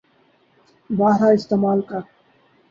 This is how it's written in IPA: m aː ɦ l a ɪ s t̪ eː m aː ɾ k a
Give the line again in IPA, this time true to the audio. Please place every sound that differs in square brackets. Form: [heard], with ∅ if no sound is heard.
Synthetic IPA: [b] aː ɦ [ɾ] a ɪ s t̪ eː m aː [l] k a